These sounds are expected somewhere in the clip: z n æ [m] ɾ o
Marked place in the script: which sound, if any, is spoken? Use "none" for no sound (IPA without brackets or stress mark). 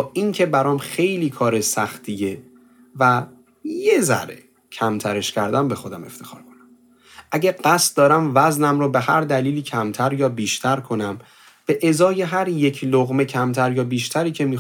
m